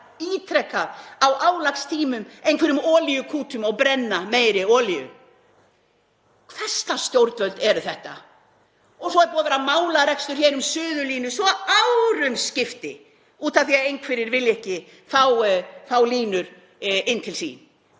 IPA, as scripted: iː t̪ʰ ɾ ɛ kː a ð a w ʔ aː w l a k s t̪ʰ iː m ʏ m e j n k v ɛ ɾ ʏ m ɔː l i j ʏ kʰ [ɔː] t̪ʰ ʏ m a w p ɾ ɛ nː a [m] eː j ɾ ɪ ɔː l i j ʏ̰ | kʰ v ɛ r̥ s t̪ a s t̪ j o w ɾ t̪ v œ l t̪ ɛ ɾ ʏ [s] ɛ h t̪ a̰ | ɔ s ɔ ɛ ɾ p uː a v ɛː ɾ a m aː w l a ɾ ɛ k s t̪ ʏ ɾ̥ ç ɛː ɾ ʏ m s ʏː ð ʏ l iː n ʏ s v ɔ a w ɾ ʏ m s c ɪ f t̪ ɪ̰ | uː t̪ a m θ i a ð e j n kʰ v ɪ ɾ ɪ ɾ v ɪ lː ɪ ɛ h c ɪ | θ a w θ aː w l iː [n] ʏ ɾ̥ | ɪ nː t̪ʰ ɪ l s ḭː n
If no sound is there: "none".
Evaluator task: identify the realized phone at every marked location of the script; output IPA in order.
uː, m, θ, n

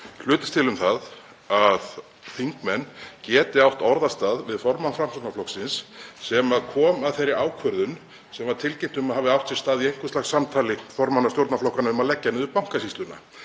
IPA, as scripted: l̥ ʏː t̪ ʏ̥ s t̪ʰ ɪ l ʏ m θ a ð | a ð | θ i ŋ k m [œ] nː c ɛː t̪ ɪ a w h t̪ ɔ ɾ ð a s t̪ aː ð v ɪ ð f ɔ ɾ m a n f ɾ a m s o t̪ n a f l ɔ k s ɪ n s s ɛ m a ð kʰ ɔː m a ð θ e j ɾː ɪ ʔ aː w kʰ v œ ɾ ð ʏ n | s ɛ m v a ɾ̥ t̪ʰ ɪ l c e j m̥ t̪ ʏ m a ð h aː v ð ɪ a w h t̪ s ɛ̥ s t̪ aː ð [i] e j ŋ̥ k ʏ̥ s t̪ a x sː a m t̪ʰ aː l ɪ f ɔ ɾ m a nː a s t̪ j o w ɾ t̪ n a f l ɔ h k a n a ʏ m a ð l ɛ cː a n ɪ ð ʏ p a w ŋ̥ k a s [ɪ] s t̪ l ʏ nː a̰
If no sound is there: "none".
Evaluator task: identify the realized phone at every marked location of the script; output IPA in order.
ɛ, i, i

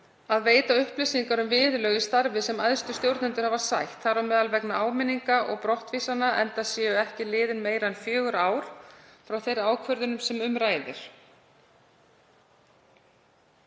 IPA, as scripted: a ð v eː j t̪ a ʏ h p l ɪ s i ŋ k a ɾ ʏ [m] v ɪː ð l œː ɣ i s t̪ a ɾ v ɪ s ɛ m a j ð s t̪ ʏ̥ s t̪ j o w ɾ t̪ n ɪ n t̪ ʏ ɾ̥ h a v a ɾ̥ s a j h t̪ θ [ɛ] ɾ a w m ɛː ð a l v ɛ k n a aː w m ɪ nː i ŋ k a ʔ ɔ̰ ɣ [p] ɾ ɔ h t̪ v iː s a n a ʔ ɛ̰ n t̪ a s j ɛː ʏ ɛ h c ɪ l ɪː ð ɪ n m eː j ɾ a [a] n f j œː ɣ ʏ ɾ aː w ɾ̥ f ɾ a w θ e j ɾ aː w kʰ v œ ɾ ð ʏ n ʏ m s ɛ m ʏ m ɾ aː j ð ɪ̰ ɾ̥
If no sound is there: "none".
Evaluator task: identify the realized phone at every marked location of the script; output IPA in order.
m, a, p, ɛ

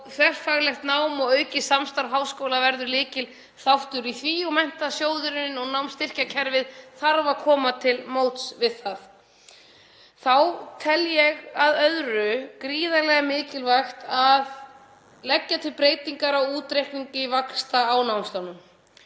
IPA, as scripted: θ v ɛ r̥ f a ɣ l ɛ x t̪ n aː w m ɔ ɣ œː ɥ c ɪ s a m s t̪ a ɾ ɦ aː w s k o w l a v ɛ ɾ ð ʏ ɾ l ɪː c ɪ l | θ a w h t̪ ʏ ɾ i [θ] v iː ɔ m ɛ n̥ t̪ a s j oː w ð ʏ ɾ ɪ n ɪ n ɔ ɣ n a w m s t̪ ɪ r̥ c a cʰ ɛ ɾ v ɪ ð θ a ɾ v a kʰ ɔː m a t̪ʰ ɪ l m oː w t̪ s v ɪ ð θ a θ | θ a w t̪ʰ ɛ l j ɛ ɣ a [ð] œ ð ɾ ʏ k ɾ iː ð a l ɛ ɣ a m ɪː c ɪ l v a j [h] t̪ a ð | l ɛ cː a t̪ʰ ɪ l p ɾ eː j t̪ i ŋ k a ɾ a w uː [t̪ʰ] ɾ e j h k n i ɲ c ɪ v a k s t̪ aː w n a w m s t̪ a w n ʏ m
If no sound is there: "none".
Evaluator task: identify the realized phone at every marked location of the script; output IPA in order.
θ, ð, x, t̪

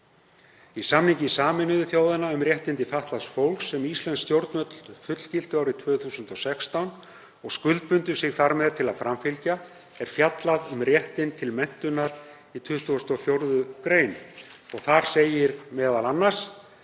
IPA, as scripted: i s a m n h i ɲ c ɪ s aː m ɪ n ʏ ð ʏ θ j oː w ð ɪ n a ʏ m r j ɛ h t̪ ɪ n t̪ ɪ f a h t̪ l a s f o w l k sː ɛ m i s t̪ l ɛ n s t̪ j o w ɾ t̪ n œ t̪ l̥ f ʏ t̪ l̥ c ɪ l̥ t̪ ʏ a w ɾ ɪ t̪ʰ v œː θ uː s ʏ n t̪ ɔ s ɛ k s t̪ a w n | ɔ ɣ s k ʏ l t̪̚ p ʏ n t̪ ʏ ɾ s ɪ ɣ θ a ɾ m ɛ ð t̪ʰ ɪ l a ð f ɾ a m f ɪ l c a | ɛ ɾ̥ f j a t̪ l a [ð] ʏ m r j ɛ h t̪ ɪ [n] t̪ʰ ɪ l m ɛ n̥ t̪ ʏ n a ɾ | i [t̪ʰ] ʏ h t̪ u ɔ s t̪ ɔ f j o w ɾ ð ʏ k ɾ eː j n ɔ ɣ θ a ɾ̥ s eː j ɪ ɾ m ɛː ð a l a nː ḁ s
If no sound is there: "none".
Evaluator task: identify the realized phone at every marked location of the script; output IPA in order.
ð, n, t̪ʰ

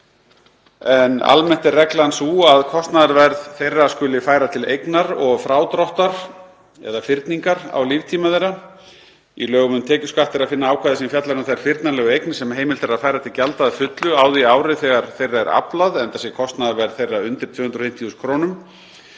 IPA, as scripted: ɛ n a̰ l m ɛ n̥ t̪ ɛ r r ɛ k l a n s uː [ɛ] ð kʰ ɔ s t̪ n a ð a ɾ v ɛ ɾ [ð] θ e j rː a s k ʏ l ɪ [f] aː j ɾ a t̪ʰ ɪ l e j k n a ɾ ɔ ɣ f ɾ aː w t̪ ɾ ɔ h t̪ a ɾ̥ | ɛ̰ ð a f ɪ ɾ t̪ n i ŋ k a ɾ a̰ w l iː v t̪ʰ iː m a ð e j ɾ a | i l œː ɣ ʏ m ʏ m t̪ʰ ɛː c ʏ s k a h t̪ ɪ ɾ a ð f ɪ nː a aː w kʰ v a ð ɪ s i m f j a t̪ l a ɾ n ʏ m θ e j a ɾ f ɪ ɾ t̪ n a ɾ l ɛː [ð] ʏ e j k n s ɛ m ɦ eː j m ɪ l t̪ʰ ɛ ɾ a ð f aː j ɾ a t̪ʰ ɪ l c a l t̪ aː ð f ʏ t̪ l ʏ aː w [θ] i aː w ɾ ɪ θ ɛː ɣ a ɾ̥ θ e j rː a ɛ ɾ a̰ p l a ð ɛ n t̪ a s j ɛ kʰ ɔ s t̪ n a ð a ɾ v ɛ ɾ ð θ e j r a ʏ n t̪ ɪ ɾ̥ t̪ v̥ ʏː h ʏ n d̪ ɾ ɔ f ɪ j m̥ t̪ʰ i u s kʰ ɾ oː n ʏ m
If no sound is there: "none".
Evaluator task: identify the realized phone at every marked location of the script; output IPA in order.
a, ð, f, ɣ, ð

